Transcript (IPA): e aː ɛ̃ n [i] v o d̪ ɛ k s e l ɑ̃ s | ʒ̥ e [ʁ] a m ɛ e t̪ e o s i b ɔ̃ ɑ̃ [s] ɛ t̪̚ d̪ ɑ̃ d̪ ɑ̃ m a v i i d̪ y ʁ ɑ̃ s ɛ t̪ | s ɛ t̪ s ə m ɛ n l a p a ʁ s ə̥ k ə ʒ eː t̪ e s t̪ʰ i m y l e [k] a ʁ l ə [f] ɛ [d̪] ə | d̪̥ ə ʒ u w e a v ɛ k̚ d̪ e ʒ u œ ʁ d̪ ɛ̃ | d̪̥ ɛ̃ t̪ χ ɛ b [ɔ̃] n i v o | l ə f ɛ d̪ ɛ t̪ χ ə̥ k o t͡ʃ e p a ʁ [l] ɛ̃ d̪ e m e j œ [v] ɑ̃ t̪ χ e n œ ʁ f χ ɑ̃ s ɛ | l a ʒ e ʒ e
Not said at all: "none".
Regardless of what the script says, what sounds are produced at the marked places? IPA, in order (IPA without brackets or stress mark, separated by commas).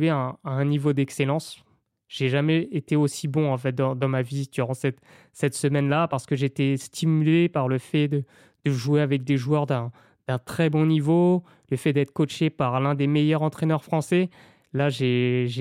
i, ʒ, f, p, f, d̪, ɔ̃, l, ʁ